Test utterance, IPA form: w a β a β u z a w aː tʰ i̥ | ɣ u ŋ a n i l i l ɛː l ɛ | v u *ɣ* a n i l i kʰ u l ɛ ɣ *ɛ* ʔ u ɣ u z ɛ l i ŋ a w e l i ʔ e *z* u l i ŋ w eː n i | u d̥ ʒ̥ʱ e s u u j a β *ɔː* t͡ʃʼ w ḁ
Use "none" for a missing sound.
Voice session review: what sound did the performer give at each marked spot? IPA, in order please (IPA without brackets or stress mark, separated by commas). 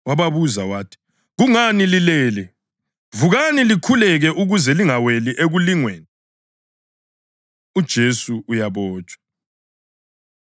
ɣ, ɛ, ɣ, ɔː